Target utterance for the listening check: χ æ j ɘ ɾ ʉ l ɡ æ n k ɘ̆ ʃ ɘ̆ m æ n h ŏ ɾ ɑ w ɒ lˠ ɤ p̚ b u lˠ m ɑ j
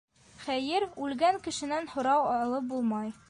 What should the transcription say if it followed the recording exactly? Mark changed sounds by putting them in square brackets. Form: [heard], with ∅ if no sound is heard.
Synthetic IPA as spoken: χ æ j ɘ ɾ ʉ l ɡ æ [ŋ] k ɘ̆ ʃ ɘ̆ [n] æ n h ŏ ɾ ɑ w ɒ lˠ ɤ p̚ b u lˠ m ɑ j